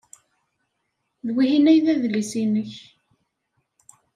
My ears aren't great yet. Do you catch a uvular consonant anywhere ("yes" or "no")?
no